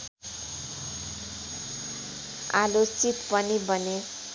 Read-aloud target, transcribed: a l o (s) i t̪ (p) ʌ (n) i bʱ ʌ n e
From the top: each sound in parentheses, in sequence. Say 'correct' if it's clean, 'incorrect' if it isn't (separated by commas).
incorrect, correct, correct